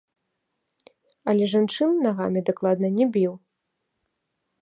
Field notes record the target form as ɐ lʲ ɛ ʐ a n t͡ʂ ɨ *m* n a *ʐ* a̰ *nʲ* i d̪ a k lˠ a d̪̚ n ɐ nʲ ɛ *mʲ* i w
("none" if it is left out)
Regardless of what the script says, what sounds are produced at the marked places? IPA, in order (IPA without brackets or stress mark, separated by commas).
n, ɣ, mʲ, bʲ